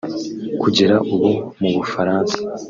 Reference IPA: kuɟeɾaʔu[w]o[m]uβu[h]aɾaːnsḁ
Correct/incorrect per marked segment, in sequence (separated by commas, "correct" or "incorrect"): incorrect, correct, incorrect